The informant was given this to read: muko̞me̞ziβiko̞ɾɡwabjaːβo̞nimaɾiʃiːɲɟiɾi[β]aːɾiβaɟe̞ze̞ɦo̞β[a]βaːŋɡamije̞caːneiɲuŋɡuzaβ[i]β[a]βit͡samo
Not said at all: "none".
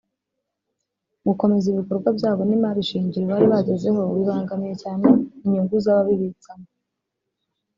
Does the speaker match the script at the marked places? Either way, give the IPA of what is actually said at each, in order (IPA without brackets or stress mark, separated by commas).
β, i, a, i